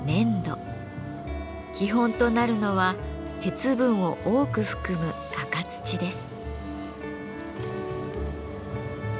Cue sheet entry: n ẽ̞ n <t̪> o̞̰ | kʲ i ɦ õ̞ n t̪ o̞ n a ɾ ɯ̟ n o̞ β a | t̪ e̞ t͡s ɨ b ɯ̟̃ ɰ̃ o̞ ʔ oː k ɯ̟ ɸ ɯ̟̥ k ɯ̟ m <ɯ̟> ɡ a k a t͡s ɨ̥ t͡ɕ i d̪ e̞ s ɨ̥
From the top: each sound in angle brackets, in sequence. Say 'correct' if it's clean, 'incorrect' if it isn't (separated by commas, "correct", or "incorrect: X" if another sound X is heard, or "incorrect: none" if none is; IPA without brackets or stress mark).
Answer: incorrect: d̪, correct